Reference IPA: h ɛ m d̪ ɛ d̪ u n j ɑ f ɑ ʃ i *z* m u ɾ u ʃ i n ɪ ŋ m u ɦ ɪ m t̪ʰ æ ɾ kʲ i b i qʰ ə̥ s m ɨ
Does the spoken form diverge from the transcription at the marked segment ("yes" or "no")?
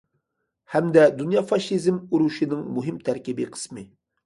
no